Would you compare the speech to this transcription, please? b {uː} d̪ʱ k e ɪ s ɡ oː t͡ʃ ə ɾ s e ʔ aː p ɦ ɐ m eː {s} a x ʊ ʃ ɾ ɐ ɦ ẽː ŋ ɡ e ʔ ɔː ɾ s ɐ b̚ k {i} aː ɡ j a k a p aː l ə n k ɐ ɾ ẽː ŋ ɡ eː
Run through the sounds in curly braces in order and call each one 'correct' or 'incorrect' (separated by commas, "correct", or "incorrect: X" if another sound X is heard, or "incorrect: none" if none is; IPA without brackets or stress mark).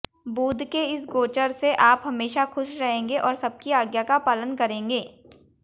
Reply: correct, incorrect: ʃ, correct